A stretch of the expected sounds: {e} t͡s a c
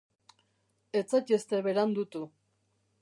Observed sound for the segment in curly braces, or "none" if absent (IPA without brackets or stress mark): e